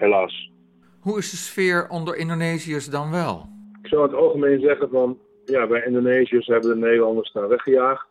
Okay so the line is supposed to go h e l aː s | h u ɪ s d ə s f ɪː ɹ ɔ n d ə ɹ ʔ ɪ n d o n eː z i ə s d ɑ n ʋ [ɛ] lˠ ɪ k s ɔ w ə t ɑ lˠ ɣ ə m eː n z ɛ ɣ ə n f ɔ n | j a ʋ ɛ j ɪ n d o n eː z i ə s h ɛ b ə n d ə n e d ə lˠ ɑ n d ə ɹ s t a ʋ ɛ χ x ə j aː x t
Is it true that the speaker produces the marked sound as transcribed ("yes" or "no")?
yes